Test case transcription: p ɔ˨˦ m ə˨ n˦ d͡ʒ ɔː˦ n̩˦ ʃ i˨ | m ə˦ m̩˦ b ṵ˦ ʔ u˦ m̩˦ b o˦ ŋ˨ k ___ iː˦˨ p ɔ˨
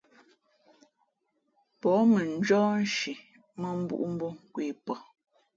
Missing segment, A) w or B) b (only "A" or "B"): A